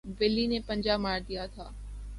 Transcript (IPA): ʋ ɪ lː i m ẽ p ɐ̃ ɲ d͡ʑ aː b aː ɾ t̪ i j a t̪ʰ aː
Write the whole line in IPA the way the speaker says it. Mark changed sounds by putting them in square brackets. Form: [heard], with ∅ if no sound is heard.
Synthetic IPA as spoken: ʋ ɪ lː i [n] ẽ p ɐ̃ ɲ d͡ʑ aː [m] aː ɾ [d̪] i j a t̪ʰ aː